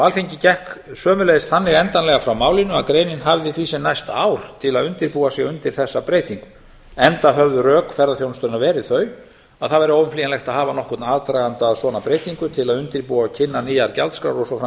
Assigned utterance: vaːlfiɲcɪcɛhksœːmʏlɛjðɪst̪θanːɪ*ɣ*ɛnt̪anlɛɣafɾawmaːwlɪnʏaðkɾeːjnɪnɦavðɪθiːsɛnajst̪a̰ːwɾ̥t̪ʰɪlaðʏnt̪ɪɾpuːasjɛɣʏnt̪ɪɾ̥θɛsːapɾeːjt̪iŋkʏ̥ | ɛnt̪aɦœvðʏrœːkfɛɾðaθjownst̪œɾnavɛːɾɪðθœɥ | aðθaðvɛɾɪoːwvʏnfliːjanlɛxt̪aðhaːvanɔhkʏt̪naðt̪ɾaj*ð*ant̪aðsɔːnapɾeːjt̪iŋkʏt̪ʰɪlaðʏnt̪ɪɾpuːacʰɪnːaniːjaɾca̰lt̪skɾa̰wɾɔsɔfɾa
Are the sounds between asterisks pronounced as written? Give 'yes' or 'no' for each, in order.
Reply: yes, no

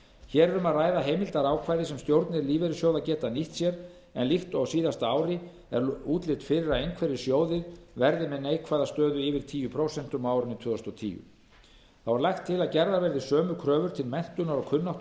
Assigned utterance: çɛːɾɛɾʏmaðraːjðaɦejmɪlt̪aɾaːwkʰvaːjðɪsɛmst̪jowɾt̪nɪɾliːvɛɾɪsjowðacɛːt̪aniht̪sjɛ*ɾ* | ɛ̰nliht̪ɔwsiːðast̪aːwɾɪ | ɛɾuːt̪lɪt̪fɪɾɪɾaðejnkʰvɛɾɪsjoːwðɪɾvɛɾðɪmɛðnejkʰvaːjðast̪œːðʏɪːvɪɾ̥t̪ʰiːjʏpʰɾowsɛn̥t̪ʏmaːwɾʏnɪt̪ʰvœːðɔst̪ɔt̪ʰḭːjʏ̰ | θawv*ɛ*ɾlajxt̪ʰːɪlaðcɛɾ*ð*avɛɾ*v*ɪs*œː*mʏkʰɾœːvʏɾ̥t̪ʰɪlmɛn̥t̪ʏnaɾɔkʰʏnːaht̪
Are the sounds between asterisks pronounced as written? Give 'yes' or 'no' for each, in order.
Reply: yes, no, yes, no, yes

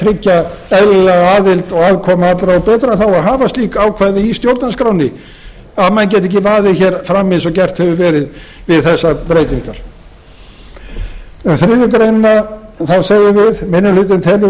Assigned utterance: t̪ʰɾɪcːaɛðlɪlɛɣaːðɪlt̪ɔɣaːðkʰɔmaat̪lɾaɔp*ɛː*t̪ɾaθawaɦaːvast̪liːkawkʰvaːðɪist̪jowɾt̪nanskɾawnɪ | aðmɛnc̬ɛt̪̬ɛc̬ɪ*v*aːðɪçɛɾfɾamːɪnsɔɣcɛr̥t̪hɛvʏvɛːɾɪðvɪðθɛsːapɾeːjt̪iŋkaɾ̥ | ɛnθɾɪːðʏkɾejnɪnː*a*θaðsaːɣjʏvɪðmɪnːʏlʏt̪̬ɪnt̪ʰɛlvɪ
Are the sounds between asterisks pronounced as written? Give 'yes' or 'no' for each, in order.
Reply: yes, yes, yes

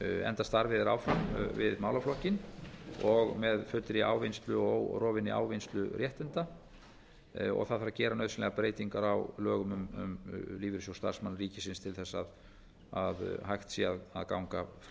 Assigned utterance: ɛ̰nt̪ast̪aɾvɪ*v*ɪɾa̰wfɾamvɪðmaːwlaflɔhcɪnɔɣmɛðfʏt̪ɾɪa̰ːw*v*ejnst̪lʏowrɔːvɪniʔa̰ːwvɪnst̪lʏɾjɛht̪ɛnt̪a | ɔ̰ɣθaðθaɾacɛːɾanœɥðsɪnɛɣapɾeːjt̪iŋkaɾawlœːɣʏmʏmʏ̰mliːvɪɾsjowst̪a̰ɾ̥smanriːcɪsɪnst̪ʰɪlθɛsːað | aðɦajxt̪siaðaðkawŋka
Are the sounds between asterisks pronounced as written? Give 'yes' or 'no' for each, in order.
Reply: no, yes

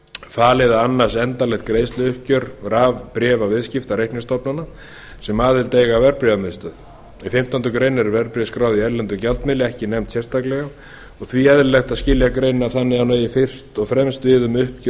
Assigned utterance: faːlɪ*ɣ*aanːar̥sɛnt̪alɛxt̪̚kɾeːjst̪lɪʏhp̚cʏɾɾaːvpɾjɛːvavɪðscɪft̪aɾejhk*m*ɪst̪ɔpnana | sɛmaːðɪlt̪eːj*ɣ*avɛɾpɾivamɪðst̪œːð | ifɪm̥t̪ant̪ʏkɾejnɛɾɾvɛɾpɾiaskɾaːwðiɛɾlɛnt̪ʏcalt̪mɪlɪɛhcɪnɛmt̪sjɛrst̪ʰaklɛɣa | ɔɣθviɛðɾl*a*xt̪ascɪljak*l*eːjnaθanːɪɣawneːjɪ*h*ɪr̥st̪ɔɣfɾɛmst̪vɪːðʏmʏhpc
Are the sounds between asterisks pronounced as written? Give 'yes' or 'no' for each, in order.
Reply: no, no, yes, no, no, no

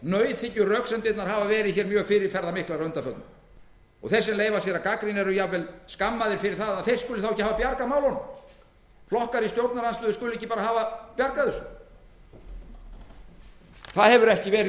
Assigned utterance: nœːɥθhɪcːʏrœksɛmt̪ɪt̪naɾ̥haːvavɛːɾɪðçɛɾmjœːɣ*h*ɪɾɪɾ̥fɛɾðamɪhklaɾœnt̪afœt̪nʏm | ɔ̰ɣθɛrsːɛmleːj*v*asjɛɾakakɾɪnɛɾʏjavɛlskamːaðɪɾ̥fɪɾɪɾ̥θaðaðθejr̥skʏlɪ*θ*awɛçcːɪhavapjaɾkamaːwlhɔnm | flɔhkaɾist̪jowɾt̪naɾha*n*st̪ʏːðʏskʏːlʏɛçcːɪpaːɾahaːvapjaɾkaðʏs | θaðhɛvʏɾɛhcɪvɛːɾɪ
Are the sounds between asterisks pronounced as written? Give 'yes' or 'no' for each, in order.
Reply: no, yes, yes, yes

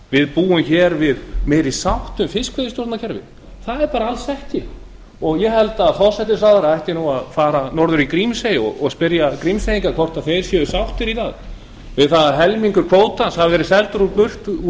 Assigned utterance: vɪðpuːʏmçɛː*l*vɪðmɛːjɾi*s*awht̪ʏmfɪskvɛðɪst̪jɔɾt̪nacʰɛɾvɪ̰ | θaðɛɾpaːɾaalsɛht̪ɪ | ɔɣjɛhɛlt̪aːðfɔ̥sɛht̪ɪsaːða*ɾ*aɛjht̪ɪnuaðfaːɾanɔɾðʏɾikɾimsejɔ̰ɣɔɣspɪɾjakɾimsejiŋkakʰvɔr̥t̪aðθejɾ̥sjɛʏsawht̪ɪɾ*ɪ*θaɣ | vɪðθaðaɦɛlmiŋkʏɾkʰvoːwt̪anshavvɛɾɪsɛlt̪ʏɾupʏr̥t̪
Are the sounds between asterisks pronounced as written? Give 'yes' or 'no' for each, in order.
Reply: no, yes, yes, no

